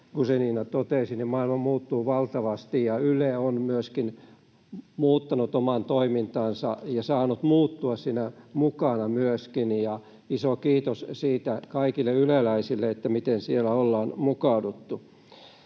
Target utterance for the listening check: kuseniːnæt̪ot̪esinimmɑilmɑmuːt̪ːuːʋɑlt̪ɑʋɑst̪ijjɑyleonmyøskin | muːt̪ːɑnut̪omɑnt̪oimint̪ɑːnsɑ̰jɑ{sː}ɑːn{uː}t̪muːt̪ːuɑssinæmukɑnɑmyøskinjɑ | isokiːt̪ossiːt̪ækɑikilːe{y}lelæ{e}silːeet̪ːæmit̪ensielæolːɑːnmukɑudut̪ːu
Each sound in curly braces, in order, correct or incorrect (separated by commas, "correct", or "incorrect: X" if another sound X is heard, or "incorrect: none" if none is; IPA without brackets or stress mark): incorrect: s, incorrect: u, correct, incorrect: i